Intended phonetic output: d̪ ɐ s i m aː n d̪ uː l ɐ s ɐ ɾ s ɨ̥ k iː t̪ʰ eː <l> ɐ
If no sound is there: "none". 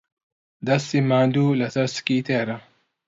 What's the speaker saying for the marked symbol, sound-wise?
ɾ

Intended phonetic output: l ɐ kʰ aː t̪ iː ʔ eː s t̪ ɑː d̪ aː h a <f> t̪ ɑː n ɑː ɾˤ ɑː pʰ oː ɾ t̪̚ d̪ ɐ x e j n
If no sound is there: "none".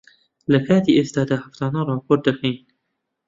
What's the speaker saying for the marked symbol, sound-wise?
f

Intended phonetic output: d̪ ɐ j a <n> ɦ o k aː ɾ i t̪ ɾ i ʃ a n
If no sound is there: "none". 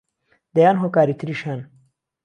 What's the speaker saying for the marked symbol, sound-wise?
n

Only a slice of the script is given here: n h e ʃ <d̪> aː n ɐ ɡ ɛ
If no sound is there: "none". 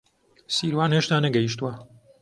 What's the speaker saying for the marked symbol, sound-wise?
t̪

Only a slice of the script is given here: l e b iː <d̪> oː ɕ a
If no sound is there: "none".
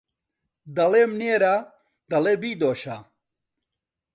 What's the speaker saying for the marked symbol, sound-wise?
d̪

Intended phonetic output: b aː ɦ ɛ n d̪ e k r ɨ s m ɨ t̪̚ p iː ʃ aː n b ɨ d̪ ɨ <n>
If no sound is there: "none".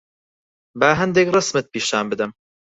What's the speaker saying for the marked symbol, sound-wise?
m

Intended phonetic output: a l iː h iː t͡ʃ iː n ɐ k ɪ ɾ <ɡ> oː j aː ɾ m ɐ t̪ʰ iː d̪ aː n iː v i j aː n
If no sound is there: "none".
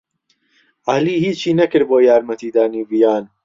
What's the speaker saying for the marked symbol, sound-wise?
b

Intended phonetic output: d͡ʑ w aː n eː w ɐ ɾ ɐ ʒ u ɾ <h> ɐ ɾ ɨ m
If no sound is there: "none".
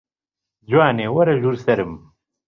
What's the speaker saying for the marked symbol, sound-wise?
s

